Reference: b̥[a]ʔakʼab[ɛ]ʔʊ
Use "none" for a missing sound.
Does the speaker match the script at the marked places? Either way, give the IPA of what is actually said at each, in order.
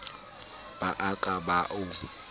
a, a

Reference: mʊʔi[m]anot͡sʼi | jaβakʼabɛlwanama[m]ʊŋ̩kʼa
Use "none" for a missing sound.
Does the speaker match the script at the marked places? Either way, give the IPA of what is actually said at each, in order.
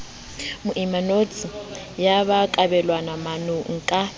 m, n

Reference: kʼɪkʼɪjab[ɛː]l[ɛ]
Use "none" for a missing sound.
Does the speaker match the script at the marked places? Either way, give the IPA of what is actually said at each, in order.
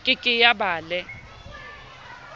aː, ɛ

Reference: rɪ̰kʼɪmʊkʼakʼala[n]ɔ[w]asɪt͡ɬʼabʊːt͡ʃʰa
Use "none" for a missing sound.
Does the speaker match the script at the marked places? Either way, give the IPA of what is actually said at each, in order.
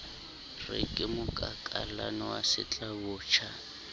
n, w

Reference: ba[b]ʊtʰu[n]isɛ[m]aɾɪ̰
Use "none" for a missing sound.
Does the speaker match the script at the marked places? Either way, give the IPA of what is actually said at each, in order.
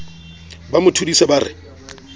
m, d, b

